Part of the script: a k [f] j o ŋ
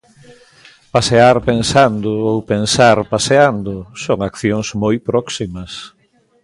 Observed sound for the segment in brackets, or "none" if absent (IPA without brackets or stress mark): θ